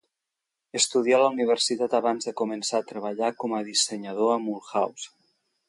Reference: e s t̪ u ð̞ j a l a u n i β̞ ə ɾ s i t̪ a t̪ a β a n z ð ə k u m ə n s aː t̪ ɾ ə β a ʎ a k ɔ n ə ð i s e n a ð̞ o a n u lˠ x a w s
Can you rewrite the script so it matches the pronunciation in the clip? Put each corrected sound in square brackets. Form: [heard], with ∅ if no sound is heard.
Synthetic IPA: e s t̪ u ð̞ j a l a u n i β̞ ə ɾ s i t̪ a t̪ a β a n z ð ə k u m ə n s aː t̪ ɾ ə β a ʎ a k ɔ [m] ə ð i s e [ɲ] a ð̞ o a [m] u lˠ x a w s